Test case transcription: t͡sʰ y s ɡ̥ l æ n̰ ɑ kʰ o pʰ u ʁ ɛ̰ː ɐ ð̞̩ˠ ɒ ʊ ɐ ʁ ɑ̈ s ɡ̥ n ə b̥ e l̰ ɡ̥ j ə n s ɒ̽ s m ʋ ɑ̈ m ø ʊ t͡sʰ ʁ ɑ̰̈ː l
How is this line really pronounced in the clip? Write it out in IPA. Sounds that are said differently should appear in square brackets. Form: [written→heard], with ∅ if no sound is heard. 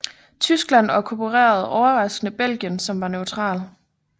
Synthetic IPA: t͡sʰ y s ɡ̥ l æ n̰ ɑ kʰ o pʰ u ʁ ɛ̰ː ɐ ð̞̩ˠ ɒ ʊ ɐ ʁ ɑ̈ s ɡ̥ n ə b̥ e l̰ ɡ̥ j ə n s ɒ̽ [s→∅] m ʋ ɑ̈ [m→n] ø ʊ t͡sʰ ʁ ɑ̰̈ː l